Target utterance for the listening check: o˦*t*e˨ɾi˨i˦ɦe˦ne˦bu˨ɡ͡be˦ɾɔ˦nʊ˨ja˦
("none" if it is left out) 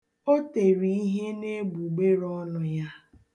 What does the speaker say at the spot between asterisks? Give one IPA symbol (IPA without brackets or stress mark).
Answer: t